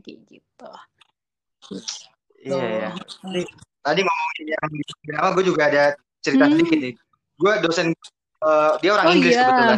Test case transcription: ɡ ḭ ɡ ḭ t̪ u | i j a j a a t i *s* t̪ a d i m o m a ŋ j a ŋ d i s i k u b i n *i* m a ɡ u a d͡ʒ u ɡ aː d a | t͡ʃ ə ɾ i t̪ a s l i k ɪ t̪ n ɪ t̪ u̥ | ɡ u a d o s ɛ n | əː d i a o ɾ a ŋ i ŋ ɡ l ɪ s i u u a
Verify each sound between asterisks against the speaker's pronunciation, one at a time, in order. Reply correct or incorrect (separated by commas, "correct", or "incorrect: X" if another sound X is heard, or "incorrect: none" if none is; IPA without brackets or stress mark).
incorrect: none, incorrect: a